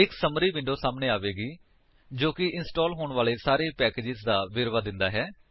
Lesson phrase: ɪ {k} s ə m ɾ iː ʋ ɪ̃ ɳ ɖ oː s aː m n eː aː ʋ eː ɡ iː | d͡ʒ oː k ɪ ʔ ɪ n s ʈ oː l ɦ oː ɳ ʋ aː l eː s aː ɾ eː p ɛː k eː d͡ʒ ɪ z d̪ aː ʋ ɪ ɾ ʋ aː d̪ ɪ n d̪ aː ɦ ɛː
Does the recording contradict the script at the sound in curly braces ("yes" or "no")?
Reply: no